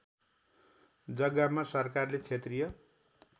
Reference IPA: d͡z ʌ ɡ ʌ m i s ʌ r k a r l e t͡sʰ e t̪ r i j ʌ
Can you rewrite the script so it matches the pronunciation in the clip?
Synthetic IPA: d͡z ʌ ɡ a m a s ʌ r k a r l e t͡sʰ e t̪ r i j ʌ